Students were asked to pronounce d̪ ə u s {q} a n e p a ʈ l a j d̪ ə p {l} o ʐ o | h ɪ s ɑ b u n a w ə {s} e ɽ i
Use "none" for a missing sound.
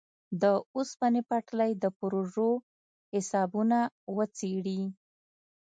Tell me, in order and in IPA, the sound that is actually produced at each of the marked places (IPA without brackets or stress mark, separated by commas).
p, ɾ, t͡s